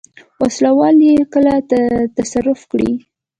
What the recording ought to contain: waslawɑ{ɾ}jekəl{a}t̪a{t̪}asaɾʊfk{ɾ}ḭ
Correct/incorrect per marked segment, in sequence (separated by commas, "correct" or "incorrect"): incorrect, correct, correct, incorrect